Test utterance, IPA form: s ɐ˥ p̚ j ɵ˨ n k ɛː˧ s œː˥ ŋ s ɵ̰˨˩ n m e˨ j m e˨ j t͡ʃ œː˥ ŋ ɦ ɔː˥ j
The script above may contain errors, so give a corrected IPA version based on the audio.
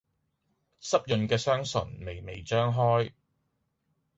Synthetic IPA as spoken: s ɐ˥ p̚ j ɵ˨ n k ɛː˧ s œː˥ ŋ s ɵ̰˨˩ n m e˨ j m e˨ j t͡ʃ œː˥ ŋ ɦ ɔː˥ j